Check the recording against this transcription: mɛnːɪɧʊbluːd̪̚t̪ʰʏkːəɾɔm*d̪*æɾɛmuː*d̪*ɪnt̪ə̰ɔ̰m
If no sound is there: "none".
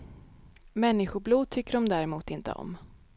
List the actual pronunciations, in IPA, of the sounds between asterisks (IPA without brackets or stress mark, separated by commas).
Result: d̪, t̪